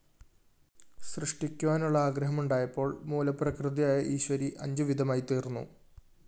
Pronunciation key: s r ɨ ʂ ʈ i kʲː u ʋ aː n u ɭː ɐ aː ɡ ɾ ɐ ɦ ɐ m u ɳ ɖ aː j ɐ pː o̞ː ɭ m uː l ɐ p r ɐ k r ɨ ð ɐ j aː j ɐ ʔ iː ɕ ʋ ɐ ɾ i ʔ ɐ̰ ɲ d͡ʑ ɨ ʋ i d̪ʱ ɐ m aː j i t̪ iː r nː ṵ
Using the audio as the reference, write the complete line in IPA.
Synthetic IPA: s r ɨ ʂ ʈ i kʲː u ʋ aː n u ɭː ɐ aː ɡ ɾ ɐ ɦ ɐ m u ɳ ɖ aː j ɐ pː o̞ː ɭ m uː l ɐ p r ɐ k r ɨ ð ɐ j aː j ɐ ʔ iː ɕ ʋ ɐ ɾ i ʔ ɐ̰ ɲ d͡ʑ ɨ ʋ i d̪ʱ ɐ m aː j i t̪ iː r nː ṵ